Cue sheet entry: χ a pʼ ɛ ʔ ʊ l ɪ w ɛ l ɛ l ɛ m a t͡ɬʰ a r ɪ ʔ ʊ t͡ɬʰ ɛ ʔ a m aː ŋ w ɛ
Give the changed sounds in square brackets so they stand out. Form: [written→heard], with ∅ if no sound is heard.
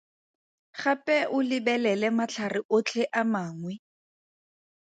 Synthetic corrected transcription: χ a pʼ ɛ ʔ ʊ l ɪ [w→b] ɛ l ɛ l ɛ m a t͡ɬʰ a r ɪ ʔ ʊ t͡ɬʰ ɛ ʔ a m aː ŋ w ɛ

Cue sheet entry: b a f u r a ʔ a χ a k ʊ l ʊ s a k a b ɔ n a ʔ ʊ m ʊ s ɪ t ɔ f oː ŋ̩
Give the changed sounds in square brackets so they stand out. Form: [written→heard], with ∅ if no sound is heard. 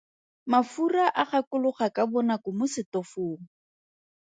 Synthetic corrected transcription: [b→m] a f u r a ʔ a χ a k ʊ l ʊ [s→χ] a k a b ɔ n a [ʔ→k] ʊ m ʊ s ɪ t ɔ f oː ŋ̩

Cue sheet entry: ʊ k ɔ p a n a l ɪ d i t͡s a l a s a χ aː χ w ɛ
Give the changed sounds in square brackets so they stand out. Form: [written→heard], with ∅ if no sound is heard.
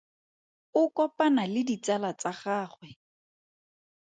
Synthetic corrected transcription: ʊ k ɔ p a n a l ɪ d i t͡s a l a [s→t͡s] a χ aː χ w ɛ

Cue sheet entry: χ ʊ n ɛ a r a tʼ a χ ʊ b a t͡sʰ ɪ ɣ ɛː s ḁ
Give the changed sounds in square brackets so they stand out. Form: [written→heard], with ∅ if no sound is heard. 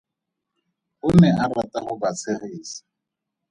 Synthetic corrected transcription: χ ʊ n ɛ a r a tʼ a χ ʊ b a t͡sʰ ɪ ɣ [ɛː→iː] s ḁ

